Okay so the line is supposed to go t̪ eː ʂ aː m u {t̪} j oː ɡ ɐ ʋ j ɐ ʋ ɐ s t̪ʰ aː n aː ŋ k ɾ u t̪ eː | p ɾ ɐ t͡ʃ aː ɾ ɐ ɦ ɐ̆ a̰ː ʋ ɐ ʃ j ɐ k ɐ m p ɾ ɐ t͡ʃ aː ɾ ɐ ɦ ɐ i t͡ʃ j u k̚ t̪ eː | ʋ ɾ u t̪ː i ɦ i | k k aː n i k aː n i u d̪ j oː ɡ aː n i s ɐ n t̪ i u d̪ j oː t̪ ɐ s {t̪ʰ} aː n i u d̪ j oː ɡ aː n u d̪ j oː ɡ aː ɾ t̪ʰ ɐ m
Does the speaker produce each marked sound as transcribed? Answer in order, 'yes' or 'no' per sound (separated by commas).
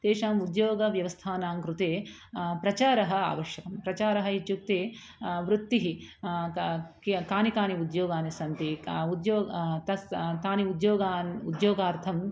no, no